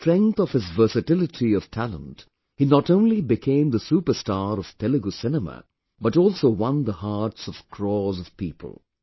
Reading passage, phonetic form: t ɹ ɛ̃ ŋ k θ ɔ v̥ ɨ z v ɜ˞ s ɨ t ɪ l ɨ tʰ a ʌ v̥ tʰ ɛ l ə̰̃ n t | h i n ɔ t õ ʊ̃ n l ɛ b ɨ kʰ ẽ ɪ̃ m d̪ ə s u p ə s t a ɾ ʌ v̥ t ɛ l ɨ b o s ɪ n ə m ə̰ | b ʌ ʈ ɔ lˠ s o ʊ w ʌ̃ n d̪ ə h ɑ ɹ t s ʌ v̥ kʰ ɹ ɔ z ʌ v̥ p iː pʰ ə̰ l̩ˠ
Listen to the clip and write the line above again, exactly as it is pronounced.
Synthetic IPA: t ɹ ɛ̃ ŋ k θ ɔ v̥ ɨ z v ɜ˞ s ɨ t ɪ l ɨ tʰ i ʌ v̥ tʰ æ l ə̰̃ n t | h i n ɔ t õ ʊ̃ n l i b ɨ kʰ ẽ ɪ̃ m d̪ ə s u p ə s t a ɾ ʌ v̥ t ɛ l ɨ ɡ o s ɪ n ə m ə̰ | b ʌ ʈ ɔ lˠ s o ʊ w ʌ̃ n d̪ ə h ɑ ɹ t s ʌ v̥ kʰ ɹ ɔ z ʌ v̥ p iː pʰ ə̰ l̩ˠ